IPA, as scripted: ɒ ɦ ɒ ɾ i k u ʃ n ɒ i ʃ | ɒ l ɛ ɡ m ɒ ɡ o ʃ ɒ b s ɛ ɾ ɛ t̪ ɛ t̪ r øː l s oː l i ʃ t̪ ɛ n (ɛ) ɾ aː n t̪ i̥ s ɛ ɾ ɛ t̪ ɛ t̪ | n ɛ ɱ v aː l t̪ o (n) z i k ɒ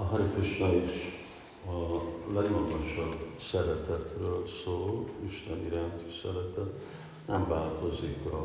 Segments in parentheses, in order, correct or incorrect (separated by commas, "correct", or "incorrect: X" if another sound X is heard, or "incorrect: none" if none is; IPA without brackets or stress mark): incorrect: i, incorrect: none